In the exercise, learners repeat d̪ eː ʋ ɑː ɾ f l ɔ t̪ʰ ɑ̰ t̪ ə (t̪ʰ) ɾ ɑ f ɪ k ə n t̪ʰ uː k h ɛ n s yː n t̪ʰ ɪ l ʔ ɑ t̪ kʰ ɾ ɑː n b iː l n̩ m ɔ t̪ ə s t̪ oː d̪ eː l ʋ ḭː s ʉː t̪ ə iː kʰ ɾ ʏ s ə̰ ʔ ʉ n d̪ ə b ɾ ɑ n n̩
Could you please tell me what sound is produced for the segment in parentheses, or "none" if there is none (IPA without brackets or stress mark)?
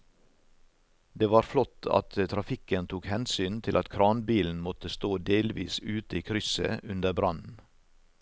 t̪ʰ